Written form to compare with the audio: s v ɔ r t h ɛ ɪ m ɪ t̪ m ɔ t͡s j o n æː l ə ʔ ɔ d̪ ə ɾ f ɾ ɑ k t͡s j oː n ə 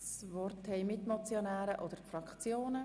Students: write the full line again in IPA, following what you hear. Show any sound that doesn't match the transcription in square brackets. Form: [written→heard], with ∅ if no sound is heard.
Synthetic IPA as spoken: s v ɔ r t h ɛ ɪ m ɪ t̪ m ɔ t͡s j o n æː [l→ɾ] ə ʔ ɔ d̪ ə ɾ f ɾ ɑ k t͡s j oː n ə